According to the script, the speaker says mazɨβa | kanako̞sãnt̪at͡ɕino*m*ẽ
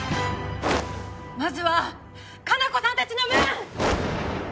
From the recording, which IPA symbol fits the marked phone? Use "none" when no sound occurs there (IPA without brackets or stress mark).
m